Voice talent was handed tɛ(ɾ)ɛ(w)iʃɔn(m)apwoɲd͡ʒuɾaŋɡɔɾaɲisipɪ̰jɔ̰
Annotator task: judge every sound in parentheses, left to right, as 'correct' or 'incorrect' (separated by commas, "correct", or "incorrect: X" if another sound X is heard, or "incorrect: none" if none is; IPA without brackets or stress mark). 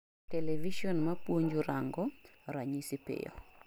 incorrect: l, incorrect: v, correct